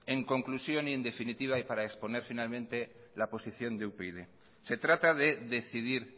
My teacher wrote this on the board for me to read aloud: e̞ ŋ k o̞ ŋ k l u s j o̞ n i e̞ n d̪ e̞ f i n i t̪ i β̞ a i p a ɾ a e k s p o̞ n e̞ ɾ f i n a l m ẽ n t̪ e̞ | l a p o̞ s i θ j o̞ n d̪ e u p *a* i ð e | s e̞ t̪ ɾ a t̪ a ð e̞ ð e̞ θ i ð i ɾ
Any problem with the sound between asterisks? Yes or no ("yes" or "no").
yes